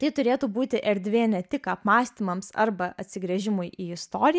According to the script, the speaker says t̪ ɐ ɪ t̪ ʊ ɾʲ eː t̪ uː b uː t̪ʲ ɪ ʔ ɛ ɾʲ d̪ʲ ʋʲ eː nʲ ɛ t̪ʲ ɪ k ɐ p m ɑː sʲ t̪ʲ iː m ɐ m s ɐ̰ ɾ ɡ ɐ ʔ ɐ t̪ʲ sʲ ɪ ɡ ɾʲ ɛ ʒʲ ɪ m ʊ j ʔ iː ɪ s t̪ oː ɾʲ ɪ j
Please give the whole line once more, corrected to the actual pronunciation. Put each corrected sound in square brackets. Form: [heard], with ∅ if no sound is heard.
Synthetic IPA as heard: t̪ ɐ ɪ t̪ ʊ ɾʲ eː t̪ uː b uː t̪ʲ ɪ ʔ ɛ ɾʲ d̪ʲ ʋʲ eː nʲ ɛ t̪ʲ ɪ k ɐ p m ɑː sʲ t̪ʲ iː m ɐ m s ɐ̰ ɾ [b] ɐ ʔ ɐ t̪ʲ sʲ ɪ ɡ ɾʲ ɛ ʒʲ ɪ m ʊ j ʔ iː ɪ s t̪ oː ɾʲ ɪ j